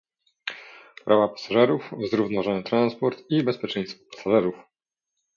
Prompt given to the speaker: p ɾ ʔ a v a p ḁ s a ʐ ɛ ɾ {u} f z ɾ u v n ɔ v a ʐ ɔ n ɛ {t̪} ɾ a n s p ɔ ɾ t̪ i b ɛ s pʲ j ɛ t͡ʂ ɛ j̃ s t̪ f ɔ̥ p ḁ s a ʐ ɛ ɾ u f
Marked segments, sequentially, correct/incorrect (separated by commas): correct, correct